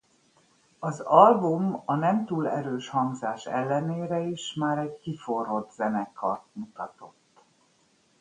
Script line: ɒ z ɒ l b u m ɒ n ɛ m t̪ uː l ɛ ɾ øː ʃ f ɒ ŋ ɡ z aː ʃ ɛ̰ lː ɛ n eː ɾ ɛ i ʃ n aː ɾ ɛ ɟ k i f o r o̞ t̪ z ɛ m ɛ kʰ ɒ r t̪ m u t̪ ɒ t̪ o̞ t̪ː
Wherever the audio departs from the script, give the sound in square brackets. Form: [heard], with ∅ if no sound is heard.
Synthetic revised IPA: ɒ z ɒ l b u m ɒ n ɛ m t̪ uː l ɛ ɾ øː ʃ [h] ɒ ŋ ɡ z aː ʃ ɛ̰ lː ɛ n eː ɾ ɛ i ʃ [m] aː ɾ ɛ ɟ k i f o r o̞ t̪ z ɛ [n] ɛ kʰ ɒ r t̪ m u t̪ ɒ t̪ o̞ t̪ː